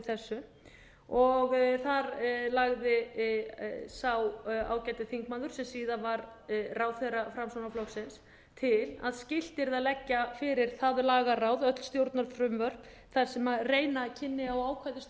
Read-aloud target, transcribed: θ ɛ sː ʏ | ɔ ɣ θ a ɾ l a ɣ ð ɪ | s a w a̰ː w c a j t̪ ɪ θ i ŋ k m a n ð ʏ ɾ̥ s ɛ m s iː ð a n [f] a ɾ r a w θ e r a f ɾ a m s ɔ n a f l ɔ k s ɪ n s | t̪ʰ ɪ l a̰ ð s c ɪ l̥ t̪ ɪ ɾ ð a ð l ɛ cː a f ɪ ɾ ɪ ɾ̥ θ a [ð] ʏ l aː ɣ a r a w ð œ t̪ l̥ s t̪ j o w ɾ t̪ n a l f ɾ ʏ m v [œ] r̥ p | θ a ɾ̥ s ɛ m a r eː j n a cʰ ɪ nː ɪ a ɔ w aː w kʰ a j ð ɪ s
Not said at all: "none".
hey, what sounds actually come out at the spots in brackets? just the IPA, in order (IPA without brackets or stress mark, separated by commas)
v, ð, œ